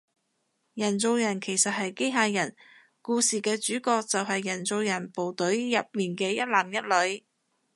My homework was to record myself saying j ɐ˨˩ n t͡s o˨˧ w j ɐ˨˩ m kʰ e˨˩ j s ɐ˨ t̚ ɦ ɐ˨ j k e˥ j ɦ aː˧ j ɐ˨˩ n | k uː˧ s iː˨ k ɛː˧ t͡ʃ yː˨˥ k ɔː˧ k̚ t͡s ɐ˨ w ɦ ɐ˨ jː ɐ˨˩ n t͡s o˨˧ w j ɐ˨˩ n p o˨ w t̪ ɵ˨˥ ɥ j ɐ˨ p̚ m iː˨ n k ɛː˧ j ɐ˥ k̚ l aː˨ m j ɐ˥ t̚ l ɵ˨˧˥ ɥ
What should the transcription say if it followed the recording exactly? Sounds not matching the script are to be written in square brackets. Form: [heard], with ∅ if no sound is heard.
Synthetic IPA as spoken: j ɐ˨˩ n t͡s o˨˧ w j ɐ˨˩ [n] kʰ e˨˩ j s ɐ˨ t̚ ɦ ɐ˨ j k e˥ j ɦ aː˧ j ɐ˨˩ n | k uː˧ s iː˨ k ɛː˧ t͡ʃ yː˨˥ k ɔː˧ k̚ t͡s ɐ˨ w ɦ ɐ˨ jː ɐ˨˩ n t͡s o˨˧ w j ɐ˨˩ n p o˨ w t̪ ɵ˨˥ ɥ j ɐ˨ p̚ m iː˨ n k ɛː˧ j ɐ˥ [t̚] l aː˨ m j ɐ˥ t̚ l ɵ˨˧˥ ɥ